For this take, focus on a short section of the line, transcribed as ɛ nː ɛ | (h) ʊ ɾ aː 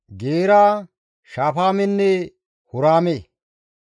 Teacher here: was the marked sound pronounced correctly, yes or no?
yes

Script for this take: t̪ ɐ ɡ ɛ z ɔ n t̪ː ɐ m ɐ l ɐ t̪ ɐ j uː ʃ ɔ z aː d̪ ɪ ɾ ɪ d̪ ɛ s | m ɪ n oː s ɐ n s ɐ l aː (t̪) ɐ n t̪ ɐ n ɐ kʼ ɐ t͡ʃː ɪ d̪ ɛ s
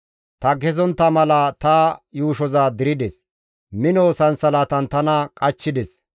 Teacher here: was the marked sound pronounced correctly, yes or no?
yes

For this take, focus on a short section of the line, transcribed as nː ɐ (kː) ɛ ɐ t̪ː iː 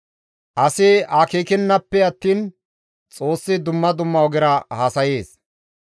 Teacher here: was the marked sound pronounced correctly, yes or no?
no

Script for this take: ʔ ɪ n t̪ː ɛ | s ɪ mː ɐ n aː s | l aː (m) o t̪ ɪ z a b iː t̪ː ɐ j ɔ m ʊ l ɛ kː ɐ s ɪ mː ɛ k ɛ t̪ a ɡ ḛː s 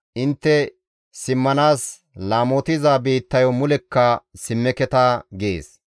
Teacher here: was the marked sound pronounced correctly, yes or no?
yes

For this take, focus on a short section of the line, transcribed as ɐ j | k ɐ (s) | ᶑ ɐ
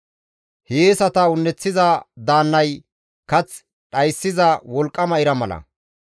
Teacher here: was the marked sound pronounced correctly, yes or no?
no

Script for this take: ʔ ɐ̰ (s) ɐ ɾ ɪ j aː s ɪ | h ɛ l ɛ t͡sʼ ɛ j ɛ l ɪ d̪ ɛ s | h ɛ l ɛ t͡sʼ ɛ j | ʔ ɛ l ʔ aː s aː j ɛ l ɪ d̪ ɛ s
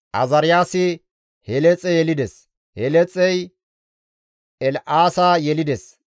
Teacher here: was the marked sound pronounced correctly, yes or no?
no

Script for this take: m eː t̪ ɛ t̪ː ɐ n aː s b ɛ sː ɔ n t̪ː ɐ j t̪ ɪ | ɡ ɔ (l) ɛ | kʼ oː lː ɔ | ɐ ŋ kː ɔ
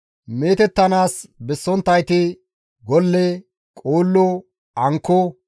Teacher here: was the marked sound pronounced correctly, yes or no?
no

